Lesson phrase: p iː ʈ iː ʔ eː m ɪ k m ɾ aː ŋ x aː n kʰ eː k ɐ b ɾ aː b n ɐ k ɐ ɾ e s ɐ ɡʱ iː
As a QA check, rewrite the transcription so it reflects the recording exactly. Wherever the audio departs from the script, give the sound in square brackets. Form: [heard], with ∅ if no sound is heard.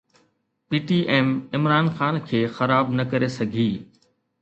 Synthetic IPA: p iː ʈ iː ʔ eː m ɪ [∅] m ɾ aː [n] x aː n kʰ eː [x] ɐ [∅] ɾ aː b n ɐ k ɐ ɾ e s ɐ ɡʱ iː